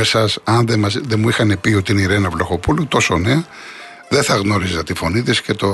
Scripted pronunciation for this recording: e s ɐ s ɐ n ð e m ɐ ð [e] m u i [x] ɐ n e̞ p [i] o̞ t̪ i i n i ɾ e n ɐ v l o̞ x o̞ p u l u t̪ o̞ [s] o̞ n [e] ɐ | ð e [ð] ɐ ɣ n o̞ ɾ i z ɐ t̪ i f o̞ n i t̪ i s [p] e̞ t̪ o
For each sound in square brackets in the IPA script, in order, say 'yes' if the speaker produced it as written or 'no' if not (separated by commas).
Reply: yes, yes, yes, yes, yes, no, no